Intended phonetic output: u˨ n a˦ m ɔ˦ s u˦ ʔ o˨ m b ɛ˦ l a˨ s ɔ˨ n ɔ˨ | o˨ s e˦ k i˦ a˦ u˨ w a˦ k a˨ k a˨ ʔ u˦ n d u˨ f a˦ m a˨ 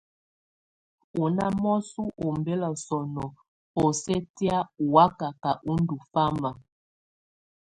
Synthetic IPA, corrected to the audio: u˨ n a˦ m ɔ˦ s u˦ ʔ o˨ m b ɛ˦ l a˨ s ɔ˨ n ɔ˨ | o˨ s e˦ t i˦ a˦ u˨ w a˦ k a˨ k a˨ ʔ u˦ n d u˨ f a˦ m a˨